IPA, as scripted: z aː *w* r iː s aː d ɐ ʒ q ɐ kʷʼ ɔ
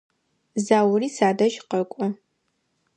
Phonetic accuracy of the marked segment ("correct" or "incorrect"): correct